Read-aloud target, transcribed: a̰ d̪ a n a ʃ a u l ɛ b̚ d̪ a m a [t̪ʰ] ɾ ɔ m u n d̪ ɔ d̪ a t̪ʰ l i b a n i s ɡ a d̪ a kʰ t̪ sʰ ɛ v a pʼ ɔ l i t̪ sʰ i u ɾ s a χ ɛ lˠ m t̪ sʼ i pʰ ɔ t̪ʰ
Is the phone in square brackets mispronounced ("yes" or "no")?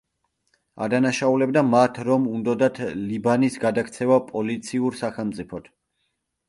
no